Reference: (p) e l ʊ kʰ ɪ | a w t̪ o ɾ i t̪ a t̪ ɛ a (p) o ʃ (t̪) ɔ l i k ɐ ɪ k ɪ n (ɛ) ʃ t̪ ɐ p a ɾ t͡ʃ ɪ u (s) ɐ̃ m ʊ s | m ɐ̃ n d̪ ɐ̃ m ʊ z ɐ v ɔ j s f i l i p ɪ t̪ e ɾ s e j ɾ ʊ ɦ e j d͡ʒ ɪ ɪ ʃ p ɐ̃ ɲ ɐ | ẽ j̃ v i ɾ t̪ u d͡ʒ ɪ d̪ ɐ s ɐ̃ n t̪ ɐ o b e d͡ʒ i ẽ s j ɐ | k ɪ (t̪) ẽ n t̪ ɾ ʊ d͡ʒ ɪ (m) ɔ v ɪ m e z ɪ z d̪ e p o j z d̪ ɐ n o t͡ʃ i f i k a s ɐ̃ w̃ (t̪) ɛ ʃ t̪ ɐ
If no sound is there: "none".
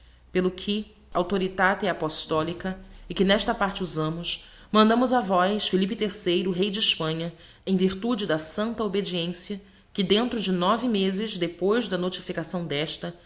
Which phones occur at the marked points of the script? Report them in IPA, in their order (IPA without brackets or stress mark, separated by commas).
p, p, t̪, ɛ, z, d̪, n, d̪